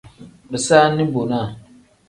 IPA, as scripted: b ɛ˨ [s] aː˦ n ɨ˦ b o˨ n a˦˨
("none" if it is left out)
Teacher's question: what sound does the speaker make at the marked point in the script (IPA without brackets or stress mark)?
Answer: s